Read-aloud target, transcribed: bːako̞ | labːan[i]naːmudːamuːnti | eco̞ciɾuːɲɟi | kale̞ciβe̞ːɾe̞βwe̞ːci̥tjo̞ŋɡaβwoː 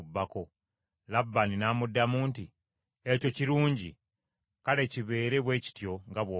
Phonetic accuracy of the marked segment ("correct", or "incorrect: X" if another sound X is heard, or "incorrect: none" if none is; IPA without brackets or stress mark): correct